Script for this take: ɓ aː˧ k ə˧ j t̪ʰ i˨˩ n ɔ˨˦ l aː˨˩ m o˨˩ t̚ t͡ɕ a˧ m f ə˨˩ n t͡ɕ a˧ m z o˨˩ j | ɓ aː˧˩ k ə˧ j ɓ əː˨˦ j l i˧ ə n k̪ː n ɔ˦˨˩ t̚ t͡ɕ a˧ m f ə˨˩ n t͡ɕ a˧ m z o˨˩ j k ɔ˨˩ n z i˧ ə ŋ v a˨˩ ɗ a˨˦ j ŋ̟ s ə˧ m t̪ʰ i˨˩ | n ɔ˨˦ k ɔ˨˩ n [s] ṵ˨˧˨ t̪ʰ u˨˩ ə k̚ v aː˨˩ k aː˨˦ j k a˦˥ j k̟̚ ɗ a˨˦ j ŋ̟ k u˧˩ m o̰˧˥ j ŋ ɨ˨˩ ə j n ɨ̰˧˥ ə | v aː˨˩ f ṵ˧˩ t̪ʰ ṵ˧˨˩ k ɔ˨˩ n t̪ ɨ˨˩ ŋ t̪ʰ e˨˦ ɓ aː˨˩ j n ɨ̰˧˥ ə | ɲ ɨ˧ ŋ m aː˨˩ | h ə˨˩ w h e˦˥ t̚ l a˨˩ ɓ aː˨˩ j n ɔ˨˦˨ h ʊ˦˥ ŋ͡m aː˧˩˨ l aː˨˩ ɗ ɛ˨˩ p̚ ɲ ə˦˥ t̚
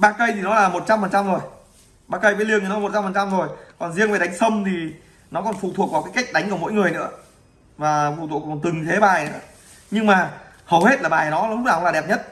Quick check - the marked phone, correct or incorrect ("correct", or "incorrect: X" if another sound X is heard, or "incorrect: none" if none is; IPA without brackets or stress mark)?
incorrect: f